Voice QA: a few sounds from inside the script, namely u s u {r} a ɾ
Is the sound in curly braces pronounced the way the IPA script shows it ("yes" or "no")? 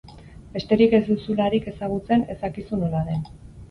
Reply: no